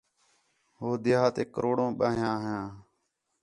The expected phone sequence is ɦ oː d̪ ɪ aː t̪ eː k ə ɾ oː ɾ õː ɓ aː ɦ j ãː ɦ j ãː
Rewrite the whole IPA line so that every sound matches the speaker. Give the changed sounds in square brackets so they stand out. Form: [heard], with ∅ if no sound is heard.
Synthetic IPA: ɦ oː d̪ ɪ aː t̪ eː k ə ɾ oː [ɽ] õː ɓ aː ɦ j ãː ɦ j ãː